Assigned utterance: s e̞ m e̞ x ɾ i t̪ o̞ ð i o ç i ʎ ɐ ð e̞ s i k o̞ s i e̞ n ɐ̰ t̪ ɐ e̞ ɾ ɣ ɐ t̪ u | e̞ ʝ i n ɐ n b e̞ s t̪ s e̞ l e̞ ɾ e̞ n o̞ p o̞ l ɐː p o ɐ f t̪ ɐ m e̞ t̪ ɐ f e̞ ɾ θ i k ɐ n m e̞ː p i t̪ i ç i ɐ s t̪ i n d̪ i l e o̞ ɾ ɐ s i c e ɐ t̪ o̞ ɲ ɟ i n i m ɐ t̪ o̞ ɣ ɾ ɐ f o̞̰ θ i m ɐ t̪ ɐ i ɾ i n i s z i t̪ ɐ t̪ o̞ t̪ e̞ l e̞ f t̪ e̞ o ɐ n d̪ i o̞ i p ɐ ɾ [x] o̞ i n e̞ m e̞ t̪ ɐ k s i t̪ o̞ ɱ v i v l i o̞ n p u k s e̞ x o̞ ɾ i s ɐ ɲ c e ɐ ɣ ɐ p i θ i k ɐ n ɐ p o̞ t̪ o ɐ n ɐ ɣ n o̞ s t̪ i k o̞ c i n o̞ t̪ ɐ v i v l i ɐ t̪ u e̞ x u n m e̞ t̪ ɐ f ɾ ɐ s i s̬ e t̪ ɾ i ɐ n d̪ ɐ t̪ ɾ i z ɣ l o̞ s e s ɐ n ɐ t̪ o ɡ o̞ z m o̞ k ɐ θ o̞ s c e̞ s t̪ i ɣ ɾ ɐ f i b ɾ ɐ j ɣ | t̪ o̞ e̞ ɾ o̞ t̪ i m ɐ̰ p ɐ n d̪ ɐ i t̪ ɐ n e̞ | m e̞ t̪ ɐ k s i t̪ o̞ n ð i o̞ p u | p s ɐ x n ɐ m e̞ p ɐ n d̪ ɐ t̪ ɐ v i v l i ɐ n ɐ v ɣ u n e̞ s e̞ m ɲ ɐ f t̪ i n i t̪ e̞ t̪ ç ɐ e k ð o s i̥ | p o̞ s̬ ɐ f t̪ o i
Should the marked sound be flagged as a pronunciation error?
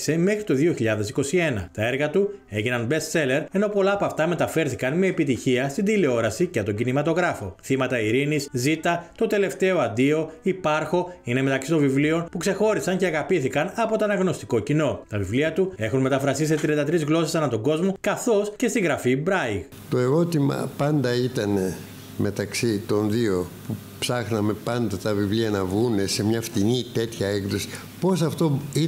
no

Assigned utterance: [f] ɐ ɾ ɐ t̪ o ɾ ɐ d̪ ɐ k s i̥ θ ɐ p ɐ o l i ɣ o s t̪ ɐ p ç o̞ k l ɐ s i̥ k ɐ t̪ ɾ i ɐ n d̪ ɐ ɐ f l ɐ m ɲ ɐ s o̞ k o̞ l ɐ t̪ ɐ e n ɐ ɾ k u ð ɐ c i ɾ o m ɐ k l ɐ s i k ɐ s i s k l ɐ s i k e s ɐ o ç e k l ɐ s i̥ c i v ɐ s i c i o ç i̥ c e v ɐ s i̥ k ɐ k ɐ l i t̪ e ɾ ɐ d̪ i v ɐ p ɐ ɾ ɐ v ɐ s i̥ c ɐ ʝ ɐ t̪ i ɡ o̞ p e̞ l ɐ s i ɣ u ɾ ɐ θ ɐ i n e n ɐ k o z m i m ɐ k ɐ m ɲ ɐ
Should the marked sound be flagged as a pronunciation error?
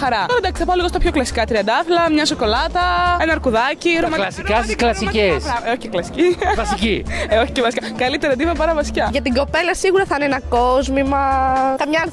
yes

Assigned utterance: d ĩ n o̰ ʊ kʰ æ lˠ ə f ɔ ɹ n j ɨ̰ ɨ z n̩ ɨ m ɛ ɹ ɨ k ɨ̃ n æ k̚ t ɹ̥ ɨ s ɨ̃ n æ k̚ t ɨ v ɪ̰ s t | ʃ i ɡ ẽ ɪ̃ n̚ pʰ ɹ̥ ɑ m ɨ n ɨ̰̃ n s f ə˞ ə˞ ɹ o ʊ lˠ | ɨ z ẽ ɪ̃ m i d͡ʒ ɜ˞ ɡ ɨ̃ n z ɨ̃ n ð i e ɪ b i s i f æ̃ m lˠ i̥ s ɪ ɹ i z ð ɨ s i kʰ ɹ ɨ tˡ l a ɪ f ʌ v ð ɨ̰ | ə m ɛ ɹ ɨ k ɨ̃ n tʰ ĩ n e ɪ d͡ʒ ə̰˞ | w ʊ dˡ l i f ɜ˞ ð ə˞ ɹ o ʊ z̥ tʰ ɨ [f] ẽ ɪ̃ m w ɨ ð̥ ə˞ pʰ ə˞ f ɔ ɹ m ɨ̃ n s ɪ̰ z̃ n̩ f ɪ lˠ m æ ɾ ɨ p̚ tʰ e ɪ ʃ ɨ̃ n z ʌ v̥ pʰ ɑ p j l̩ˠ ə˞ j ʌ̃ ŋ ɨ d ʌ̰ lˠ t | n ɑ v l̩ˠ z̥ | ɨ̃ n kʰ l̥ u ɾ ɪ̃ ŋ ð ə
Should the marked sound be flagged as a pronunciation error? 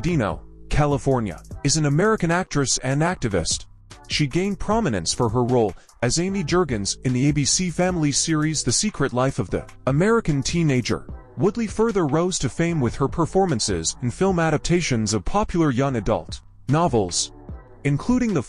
no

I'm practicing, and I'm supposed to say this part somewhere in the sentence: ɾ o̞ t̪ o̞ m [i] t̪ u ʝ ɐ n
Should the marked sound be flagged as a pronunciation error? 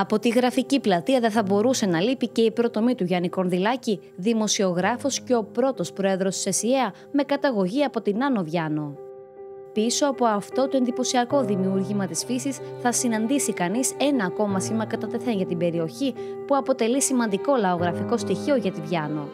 no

